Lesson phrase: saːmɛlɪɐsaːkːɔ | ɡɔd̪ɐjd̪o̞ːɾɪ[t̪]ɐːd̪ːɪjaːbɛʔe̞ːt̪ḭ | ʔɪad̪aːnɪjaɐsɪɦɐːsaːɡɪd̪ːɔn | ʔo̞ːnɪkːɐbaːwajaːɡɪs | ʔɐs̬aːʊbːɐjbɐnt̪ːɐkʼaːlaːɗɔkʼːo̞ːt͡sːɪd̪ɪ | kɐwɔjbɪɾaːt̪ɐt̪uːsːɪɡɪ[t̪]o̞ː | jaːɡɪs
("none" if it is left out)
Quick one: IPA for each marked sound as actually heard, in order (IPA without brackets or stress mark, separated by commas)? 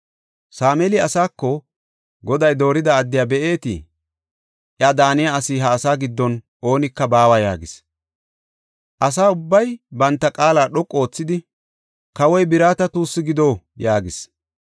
d̪, d̪